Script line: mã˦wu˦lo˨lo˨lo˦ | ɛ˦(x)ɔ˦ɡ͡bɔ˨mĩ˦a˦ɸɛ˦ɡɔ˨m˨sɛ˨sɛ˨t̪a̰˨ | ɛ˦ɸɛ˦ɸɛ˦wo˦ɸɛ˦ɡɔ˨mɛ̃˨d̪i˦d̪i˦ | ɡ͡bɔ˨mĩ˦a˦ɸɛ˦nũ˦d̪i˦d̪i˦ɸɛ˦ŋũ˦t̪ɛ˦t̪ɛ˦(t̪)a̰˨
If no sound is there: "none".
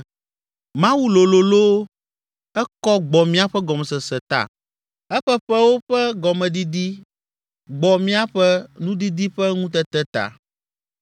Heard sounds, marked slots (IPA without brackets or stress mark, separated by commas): k, t̪